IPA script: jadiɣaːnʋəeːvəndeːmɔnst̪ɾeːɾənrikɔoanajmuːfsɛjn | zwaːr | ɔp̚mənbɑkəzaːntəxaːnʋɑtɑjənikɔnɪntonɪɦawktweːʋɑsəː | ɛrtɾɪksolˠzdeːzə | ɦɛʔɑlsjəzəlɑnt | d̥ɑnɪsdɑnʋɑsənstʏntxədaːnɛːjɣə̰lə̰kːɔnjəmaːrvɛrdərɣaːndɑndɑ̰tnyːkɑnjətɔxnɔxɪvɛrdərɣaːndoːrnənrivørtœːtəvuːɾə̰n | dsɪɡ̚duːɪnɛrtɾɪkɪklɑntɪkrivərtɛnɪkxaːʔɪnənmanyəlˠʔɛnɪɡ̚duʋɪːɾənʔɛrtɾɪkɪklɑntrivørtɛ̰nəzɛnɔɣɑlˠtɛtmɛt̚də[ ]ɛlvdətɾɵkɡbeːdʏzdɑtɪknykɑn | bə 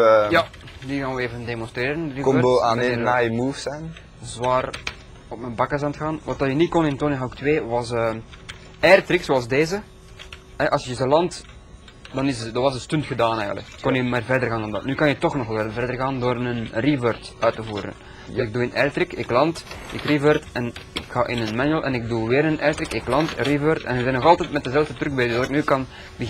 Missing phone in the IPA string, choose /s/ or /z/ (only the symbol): z